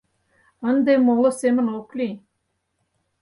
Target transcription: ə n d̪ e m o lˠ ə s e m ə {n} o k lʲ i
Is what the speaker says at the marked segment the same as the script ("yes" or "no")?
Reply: yes